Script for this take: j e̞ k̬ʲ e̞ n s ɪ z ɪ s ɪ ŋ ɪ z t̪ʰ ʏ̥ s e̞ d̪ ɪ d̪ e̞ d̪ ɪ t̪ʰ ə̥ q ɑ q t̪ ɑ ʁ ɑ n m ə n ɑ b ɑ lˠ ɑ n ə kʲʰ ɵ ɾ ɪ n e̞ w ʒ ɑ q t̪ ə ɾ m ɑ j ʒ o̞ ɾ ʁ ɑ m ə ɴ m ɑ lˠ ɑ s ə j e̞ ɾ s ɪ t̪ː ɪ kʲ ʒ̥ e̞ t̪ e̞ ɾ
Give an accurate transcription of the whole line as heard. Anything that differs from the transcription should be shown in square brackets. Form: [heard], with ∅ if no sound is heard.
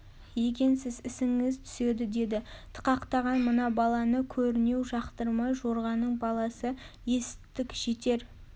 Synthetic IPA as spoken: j e̞ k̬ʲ e̞ n s ɪ z ɪ s ɪ ŋ ɪ z t̪ʰ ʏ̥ s e̞ d̪ ɪ d̪ e̞ d̪ ɪ t̪ʰ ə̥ q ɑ q t̪ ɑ ʁ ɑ n m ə n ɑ b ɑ lˠ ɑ n ə kʲʰ ɵ ɾ ɪ n e̞ w ʒ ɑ q t̪ ə ɾ m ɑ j ʒ o̞ ɾ ʁ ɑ [n] ə ɴ [b] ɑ lˠ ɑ s ə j e̞ [∅] s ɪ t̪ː ɪ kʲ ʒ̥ e̞ t̪ e̞ ɾ